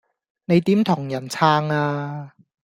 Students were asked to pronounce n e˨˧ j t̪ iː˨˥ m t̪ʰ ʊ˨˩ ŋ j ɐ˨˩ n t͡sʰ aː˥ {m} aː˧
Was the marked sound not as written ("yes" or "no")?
yes